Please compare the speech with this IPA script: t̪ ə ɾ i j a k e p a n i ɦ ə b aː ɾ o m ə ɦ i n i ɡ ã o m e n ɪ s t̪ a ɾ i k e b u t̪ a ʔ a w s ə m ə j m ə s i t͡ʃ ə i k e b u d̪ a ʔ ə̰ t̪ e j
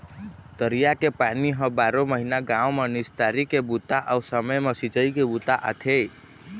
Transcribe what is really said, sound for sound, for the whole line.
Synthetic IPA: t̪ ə ɾ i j a k e p a n i ɦ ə b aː ɾ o m ə ɦ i n a ɡ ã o m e n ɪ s t̪ a ɾ i k e b u t̪ a ʔ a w s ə m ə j m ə s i t͡ʃ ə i k e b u t̪ a ʔ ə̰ t̪ʰ e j